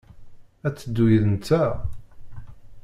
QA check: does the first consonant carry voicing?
no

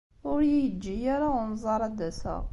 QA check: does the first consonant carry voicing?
yes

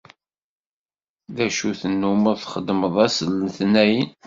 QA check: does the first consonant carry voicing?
yes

